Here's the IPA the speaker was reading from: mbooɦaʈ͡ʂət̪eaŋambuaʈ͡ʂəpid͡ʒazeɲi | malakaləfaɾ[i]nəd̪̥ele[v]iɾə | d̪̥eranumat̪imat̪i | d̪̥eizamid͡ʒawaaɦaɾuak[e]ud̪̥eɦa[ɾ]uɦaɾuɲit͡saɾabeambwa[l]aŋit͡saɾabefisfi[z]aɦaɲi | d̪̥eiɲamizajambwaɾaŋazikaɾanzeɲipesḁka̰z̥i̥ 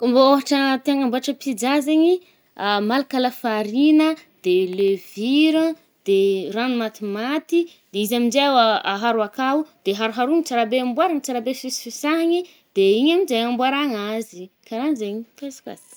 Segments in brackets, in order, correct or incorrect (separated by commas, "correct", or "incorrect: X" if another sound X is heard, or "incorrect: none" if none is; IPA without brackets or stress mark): correct, correct, incorrect: a, correct, incorrect: ɾ, incorrect: s